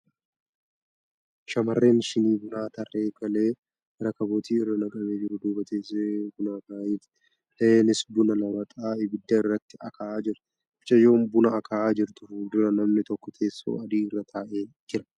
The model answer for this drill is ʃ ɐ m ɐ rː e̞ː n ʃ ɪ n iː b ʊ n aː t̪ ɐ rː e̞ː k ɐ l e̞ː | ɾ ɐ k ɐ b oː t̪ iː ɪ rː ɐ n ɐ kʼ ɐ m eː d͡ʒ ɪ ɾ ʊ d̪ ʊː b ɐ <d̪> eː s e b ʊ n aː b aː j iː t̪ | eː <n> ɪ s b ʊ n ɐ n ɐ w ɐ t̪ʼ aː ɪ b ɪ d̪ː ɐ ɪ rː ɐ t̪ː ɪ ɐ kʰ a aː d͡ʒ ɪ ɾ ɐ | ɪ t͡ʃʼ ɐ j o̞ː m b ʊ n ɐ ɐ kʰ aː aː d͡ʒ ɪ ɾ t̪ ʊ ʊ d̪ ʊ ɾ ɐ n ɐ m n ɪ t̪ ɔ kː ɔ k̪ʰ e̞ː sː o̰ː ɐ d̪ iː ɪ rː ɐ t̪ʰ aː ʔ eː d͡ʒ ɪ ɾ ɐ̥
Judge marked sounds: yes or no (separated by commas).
no, yes